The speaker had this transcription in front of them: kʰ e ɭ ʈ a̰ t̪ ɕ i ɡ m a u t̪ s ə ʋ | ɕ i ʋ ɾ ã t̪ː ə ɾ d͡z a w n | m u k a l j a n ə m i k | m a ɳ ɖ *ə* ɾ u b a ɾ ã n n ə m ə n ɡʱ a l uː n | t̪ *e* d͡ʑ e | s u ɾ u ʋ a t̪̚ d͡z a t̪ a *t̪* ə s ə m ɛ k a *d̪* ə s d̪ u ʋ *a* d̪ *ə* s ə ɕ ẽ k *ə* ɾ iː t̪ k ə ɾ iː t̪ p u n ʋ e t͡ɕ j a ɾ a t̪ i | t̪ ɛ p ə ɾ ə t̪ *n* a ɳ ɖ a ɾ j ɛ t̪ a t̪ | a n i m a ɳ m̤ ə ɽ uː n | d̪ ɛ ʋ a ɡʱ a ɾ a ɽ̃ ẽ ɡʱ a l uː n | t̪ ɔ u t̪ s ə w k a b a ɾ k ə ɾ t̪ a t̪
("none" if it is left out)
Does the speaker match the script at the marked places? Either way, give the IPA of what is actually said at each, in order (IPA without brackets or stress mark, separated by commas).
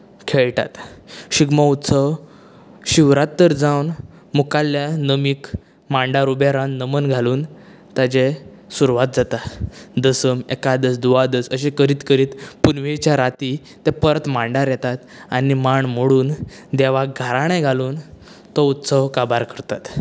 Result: a, a, d̪, d̪, a, ə, ə, m